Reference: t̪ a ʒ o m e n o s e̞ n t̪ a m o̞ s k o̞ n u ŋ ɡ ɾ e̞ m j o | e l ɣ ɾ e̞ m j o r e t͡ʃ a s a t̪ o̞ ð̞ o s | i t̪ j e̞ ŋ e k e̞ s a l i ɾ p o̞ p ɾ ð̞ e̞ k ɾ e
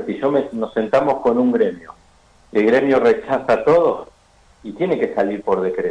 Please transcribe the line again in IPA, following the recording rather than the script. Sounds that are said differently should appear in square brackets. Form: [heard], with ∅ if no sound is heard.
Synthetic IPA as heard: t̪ [i] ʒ o m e n o s e̞ n t̪ a m o̞ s k o̞ n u ŋ ɡ ɾ e̞ m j o | e l ɣ ɾ e̞ m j o r e t͡ʃ a s a t̪ o̞ ð̞ o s | i t̪ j e̞ [n] e k e̞ s a l i ɾ p o̞ [∅] ɾ ð̞ e̞ k ɾ e